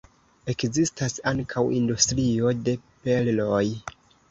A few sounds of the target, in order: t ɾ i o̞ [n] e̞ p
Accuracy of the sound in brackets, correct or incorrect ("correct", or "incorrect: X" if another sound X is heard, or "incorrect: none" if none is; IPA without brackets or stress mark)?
incorrect: d